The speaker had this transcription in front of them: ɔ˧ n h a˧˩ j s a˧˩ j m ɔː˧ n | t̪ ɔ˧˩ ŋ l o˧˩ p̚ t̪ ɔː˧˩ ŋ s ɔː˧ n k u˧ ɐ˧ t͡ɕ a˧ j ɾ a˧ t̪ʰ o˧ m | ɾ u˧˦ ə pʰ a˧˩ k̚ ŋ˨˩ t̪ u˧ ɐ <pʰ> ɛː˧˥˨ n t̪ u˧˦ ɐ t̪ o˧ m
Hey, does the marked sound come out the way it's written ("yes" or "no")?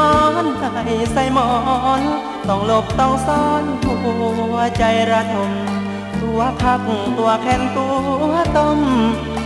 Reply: no